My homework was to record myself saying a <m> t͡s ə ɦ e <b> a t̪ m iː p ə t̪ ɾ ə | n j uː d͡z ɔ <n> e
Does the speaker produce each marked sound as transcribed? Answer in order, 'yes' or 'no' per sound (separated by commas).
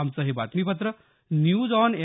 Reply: yes, yes, yes